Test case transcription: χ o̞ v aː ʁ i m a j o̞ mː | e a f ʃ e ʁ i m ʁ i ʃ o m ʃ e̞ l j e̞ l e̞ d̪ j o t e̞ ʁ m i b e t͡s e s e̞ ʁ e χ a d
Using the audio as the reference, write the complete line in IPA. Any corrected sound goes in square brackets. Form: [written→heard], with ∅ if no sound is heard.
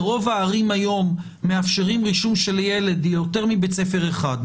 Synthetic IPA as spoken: [χ→ʁ] o̞ v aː ʁ i m a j o̞ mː | e a f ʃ e ʁ i m ʁ i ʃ [o→u] m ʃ e̞ l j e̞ l e̞ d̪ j o t e̞ ʁ m i b e t͡s e [s→f] e̞ ʁ e χ a d